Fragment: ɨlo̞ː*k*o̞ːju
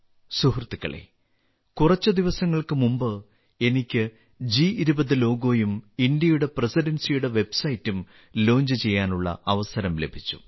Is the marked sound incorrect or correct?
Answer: incorrect